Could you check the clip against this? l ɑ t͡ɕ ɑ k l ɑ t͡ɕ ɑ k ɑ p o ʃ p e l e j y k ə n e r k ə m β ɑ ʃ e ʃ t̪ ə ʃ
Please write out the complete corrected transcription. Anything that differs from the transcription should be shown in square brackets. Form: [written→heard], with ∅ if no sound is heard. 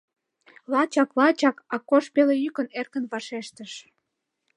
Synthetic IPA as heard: l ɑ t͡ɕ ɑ k l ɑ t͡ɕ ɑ k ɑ [p→k] o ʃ p e l e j y k ə n e r k ə [m→n] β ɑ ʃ e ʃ t̪ ə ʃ